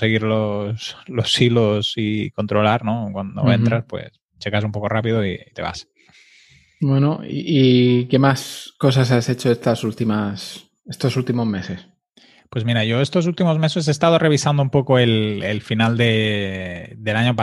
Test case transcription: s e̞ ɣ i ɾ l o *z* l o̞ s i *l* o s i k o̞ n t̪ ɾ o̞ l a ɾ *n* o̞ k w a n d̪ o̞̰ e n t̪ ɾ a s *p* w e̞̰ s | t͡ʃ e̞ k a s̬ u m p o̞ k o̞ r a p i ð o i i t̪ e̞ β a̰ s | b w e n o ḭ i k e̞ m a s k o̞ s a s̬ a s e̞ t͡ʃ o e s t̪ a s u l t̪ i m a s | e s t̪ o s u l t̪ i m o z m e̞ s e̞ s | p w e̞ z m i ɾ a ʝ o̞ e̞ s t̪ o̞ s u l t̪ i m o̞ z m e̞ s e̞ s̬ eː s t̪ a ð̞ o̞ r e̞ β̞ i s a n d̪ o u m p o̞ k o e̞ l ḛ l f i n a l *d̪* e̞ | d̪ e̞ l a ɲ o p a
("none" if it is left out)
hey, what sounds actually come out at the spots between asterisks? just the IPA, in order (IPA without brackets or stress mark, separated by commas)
s, l, n, p, d̪